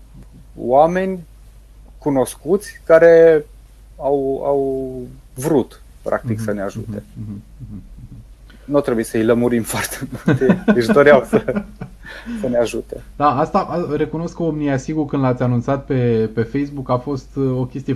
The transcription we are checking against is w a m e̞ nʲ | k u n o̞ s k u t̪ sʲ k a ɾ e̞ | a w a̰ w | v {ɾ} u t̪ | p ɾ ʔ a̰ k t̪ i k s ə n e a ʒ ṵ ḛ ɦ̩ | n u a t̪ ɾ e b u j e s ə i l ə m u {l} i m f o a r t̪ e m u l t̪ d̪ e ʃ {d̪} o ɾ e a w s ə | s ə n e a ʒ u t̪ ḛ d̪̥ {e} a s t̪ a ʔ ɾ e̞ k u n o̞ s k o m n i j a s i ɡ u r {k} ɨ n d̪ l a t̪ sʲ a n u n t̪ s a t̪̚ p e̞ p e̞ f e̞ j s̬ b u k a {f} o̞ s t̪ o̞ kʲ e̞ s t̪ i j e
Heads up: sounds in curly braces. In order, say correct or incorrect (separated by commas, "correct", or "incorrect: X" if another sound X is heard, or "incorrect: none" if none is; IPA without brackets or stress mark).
correct, incorrect: ɾ, correct, incorrect: a, correct, correct